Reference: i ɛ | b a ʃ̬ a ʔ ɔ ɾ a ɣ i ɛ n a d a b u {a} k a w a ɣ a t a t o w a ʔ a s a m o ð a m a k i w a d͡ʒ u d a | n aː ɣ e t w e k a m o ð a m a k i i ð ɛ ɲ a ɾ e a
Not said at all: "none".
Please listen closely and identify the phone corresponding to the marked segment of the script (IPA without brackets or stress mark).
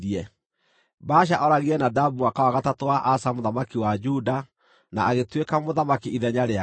a